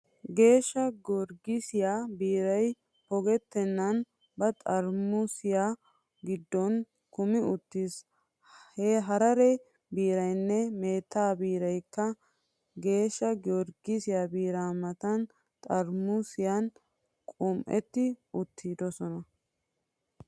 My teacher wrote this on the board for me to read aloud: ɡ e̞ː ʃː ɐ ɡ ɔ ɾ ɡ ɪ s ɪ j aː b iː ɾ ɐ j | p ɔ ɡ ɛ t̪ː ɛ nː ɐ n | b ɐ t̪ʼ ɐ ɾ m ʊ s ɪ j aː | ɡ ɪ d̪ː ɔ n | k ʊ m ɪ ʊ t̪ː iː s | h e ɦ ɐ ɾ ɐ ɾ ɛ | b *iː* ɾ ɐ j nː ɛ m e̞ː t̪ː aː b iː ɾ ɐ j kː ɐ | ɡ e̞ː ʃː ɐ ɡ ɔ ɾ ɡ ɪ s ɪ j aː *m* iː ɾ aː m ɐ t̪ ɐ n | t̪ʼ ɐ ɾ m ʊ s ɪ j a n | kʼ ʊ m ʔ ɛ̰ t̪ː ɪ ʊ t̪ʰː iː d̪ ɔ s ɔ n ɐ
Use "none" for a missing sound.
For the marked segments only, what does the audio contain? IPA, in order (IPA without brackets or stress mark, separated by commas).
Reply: iː, b